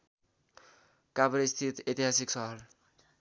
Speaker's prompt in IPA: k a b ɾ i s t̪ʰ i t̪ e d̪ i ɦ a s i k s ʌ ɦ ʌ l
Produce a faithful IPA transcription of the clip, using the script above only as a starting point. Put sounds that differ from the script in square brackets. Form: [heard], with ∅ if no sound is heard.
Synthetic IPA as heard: k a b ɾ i s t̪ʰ i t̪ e [t̪] i ɦ a s i k s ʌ ɦ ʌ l